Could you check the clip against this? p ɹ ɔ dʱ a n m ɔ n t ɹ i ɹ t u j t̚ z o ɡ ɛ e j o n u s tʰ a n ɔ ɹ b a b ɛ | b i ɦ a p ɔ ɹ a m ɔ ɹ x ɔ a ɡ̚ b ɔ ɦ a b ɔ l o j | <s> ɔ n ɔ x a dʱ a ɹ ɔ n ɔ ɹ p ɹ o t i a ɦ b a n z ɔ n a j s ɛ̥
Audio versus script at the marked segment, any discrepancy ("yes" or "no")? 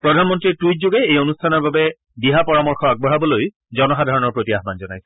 yes